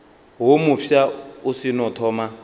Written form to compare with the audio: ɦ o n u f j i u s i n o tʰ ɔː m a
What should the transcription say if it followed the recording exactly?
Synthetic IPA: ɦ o m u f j a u s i n ɔ tʰ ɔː m a